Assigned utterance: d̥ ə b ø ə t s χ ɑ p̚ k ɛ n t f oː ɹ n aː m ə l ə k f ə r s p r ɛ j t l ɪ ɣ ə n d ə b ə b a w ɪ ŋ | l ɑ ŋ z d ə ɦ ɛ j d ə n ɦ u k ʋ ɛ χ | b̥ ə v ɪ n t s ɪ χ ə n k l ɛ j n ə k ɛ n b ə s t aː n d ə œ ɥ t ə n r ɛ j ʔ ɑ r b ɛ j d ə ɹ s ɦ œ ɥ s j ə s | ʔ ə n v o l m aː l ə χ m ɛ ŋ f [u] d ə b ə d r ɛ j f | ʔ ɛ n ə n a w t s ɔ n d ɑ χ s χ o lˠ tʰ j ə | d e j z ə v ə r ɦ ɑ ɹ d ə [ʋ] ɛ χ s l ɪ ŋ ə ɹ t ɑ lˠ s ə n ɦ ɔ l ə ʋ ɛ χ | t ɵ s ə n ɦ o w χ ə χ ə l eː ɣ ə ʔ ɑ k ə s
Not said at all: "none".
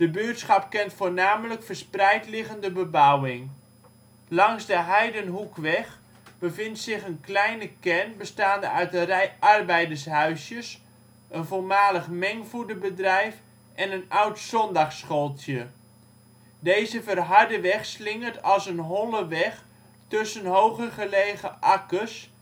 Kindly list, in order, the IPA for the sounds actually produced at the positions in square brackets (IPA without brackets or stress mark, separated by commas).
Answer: u, ʋ